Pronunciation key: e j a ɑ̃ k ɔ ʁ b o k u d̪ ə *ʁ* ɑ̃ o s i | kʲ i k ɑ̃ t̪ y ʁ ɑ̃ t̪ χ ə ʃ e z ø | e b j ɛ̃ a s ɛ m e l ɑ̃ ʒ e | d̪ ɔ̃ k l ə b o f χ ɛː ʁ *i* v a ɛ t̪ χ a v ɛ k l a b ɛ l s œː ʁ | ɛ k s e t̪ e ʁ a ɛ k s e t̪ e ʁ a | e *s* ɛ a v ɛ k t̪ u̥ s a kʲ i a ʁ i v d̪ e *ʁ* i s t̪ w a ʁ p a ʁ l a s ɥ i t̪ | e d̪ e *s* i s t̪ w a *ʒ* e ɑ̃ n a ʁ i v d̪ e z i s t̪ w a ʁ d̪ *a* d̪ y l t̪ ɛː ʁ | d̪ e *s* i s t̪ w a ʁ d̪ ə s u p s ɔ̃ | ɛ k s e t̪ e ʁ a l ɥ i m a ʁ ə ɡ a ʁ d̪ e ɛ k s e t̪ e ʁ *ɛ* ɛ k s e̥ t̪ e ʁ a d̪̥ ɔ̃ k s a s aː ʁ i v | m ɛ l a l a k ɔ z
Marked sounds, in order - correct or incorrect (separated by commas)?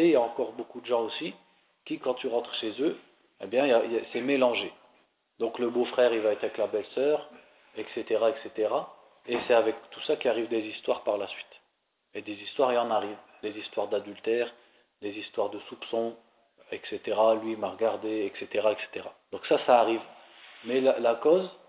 incorrect, correct, correct, incorrect, incorrect, incorrect, correct, incorrect, incorrect